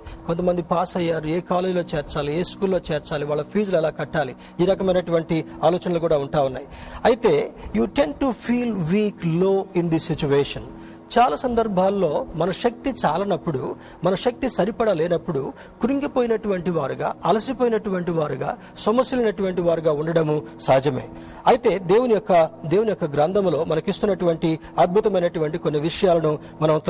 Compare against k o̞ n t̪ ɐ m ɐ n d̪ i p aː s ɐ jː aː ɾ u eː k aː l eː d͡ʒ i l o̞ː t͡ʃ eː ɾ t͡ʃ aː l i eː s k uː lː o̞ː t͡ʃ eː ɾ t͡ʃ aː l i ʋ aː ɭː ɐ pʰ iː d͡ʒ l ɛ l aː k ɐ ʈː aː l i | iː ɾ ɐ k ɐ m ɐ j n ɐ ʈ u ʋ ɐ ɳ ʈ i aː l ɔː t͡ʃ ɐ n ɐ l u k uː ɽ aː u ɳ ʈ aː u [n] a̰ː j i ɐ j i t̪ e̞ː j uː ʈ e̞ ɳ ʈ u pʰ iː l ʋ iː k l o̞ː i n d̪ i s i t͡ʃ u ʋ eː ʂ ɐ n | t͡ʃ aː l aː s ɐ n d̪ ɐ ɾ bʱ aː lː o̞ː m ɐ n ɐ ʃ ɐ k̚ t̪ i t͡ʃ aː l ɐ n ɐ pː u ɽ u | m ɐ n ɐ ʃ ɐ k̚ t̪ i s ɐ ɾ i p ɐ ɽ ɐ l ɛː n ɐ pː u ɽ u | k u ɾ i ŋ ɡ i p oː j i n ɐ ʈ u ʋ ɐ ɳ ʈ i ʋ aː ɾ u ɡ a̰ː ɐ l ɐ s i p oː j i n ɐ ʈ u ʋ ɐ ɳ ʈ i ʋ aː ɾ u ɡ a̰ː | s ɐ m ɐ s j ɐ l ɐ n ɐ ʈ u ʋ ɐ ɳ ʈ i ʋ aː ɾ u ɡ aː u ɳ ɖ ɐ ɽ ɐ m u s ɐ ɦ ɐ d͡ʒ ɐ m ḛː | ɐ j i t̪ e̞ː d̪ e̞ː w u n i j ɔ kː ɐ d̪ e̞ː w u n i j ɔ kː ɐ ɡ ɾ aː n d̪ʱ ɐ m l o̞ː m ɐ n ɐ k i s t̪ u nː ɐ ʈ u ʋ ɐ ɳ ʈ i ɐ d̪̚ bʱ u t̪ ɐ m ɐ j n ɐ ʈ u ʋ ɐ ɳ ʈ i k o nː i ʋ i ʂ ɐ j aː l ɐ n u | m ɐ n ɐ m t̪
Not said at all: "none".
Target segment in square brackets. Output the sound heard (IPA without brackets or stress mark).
nː